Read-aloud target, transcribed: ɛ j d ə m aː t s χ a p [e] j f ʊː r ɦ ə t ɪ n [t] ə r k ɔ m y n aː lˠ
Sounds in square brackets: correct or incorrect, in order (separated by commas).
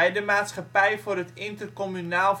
incorrect, correct